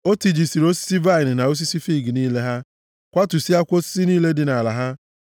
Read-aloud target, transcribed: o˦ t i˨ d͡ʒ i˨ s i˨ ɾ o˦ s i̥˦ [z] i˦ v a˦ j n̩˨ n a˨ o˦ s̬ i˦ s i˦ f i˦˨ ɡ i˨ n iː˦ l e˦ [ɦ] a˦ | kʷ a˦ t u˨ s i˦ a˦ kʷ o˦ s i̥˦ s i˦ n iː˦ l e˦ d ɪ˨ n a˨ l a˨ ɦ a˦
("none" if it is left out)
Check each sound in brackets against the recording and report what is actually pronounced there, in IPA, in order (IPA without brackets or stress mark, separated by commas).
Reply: s, ɦ